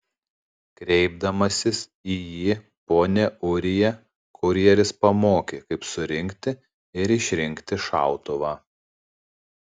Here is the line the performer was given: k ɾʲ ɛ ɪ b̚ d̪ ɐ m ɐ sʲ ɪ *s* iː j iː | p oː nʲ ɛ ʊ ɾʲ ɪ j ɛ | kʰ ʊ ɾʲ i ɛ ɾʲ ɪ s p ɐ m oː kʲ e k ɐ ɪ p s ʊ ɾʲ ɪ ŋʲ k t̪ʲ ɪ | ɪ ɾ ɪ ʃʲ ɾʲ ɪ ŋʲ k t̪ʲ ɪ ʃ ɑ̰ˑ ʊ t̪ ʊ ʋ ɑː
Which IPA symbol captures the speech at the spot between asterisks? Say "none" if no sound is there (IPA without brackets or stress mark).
s